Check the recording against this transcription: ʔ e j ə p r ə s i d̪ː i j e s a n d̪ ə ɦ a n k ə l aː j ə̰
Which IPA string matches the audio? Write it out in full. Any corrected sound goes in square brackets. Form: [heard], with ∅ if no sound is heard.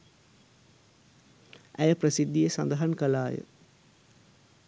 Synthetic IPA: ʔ [æ] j ə p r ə s i d̪ː i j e s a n d̪ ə ɦ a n k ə l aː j ə̰